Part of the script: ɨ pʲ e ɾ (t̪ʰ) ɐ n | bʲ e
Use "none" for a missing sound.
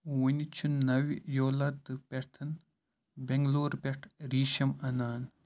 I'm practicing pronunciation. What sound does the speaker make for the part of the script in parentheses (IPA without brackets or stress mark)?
t̪ʰ